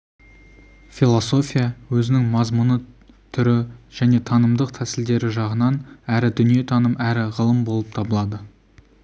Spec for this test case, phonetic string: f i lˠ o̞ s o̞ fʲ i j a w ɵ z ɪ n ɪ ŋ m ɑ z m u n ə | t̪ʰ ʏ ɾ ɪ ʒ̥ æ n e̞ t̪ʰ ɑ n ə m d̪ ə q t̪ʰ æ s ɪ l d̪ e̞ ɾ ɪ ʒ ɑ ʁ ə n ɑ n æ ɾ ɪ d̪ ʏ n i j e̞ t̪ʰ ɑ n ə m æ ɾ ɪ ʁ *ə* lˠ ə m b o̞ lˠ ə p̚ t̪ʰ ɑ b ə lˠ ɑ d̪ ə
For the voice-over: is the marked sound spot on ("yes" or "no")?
yes